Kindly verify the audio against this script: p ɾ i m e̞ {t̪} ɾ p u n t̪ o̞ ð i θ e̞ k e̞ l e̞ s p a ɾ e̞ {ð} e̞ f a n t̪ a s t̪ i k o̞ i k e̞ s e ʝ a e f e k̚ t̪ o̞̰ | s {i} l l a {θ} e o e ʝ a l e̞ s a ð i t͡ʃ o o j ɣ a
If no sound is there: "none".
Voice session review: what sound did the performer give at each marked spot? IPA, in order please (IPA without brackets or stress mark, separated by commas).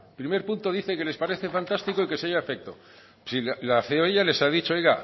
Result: none, θ, i, θ